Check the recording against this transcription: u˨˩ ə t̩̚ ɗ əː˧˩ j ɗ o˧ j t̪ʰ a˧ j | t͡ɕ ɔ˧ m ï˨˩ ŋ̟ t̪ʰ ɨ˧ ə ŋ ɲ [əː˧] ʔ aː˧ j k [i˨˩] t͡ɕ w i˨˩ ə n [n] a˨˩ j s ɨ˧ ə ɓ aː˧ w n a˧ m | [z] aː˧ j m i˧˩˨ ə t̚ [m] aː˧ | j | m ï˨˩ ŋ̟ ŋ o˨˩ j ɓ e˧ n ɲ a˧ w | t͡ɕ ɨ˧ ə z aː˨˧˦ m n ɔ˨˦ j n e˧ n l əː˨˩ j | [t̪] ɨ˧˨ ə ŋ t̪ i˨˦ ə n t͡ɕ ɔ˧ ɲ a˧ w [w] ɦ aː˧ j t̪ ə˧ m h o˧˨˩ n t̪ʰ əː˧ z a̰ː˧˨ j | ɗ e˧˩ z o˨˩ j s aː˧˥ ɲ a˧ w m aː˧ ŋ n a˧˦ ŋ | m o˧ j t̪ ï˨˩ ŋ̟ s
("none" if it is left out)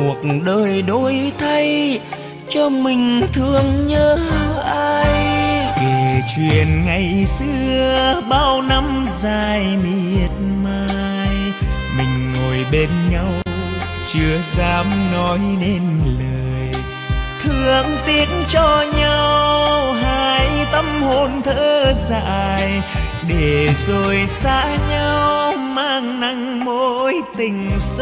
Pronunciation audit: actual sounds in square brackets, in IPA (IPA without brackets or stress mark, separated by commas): əː˧, e˨˩, ŋ, z, m, t̪ʰ, w